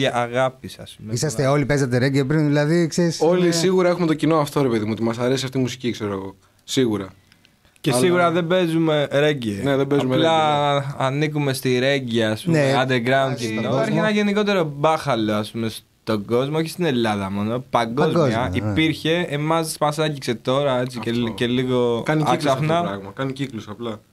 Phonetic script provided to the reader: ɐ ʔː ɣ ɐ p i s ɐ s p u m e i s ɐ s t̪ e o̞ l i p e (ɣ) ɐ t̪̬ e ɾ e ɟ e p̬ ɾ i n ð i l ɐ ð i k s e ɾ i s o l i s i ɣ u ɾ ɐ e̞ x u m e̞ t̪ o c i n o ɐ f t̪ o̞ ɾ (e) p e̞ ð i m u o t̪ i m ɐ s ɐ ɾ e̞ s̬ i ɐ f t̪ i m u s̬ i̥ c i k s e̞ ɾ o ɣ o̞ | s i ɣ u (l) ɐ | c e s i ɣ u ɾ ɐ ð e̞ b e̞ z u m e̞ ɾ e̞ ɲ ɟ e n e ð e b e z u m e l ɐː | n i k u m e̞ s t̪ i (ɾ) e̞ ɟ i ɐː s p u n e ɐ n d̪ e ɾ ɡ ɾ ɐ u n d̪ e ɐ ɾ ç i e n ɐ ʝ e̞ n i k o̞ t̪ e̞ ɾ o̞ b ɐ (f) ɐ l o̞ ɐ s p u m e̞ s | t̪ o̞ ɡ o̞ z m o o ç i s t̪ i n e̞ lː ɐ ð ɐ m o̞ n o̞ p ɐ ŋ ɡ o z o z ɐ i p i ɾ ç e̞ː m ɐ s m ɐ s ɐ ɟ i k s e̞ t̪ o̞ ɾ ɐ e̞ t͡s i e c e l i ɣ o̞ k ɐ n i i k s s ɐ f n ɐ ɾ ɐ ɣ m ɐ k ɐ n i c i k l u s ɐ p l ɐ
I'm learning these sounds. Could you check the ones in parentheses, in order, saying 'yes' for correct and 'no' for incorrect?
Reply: no, yes, no, yes, no

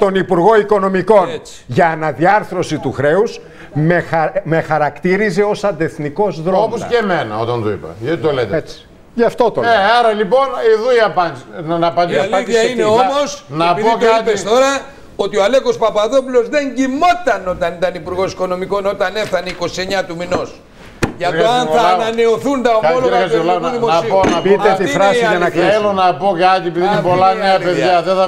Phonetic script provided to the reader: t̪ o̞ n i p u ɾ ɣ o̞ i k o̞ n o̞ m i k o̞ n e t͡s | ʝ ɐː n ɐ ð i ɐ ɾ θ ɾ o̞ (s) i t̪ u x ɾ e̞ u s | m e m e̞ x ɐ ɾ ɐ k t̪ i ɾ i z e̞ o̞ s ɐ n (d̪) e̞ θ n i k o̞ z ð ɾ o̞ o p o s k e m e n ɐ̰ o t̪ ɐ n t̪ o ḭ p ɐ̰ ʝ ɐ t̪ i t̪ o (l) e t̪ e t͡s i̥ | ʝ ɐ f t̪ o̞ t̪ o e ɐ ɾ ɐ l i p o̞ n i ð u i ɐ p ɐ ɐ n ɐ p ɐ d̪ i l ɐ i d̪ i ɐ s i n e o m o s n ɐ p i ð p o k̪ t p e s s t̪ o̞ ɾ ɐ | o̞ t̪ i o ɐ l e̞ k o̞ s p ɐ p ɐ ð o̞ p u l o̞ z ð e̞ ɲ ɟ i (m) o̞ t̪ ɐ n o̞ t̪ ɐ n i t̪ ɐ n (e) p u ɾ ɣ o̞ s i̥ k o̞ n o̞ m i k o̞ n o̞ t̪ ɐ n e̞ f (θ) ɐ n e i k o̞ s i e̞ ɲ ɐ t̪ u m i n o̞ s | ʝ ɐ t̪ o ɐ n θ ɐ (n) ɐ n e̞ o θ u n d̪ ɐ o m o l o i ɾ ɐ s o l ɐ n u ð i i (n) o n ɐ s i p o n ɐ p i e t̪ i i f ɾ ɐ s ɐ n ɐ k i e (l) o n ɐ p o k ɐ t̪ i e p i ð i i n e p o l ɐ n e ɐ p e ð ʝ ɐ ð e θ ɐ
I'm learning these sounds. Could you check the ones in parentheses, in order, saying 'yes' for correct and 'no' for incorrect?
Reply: yes, yes, yes, yes, no, yes, yes, no, yes

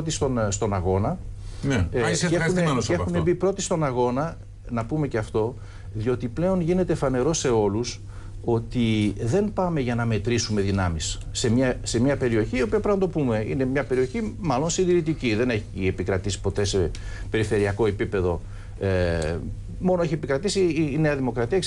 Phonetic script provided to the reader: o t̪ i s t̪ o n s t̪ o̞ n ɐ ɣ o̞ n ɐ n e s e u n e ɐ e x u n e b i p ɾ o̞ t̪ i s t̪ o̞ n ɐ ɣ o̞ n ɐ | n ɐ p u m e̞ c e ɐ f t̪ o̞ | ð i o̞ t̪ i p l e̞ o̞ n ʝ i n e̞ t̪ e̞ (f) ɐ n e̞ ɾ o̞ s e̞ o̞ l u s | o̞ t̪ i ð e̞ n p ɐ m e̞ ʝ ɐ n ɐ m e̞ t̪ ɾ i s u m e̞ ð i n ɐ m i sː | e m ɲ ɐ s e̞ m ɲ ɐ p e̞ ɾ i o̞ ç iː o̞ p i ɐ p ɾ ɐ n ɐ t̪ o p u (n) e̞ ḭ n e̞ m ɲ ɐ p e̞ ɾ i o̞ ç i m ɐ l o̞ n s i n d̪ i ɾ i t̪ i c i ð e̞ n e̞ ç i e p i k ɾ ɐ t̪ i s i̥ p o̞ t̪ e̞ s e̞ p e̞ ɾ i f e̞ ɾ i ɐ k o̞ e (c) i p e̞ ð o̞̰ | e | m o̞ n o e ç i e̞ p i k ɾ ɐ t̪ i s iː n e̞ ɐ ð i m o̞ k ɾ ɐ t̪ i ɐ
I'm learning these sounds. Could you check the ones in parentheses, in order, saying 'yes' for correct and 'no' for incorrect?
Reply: yes, no, no

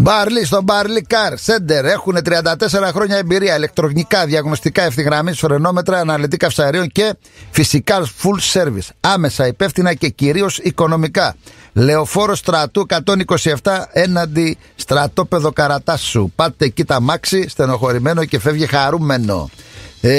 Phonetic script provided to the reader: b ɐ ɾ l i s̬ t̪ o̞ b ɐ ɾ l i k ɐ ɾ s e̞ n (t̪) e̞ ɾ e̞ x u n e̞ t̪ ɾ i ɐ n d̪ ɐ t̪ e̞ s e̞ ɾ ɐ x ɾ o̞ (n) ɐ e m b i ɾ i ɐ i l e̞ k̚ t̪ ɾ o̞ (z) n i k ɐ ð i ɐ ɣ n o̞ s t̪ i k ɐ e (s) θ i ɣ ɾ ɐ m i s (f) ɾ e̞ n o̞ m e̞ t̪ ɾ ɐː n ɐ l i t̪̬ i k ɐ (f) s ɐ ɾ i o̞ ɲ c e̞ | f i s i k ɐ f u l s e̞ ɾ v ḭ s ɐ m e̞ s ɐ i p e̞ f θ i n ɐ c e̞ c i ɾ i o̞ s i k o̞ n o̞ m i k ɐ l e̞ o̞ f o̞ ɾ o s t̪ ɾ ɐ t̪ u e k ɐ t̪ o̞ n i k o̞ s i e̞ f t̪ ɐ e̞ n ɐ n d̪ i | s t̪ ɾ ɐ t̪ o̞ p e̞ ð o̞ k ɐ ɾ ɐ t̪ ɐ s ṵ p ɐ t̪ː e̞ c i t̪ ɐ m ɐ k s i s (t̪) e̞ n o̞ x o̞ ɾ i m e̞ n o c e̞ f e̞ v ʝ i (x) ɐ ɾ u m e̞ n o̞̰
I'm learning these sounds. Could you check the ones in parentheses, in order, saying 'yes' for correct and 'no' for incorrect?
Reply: no, no, no, no, yes, yes, yes, yes

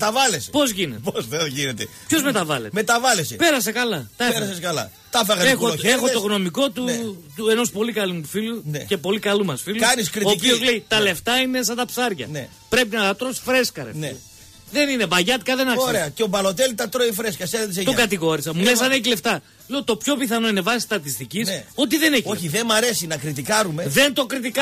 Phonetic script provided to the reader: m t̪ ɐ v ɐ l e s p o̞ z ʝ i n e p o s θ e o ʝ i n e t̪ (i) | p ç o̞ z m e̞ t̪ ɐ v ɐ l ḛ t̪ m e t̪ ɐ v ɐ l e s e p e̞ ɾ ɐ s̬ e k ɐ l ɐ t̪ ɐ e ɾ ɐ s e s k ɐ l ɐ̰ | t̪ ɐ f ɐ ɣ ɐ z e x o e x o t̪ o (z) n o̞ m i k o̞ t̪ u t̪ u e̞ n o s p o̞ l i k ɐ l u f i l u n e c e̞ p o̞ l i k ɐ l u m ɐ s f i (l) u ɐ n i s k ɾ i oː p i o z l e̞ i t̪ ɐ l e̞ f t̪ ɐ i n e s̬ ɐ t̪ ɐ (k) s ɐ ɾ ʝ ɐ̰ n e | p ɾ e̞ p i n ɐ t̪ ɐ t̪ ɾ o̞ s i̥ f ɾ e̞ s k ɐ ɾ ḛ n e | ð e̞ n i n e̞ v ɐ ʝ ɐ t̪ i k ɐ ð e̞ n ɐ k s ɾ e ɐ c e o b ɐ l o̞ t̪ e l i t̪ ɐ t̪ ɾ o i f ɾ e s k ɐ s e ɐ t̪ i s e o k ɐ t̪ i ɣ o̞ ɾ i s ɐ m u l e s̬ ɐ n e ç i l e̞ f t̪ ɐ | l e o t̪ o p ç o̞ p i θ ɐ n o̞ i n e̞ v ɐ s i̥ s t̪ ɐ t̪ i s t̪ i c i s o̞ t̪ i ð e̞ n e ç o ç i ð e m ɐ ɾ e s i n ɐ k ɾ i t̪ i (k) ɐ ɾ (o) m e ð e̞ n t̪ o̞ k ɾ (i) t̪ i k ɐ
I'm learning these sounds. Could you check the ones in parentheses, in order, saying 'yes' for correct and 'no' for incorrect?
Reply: no, no, yes, no, yes, no, yes

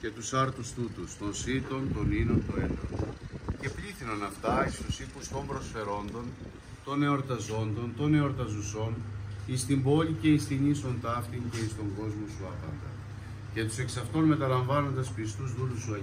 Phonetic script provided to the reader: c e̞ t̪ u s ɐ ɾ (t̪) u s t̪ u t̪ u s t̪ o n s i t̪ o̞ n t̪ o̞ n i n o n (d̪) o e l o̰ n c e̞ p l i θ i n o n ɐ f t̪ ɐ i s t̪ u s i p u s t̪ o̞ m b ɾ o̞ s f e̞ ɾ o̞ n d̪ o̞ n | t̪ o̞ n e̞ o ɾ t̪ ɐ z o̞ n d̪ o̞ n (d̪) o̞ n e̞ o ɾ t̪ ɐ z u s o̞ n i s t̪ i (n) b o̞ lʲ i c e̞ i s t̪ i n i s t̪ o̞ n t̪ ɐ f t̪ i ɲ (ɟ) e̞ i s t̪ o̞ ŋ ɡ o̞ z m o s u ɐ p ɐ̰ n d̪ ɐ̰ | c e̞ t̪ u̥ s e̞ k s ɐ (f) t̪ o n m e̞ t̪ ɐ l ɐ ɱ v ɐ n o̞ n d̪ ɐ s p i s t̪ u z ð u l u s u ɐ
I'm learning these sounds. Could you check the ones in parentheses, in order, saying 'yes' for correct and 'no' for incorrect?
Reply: yes, no, no, no, no, yes

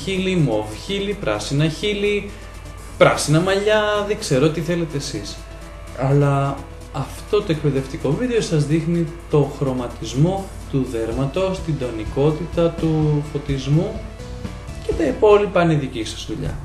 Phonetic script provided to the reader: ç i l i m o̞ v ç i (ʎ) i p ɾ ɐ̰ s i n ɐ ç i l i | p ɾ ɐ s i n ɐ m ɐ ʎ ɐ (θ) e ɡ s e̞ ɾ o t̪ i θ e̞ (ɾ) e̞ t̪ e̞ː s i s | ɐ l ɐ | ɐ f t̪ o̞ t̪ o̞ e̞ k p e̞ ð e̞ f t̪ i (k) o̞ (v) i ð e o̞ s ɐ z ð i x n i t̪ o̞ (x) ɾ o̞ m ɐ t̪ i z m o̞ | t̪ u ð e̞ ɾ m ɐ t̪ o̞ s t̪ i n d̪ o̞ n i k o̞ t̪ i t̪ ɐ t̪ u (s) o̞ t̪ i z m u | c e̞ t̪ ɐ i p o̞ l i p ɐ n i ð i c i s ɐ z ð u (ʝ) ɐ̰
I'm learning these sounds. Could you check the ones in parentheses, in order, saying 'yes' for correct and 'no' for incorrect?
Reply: no, no, no, yes, yes, yes, no, no

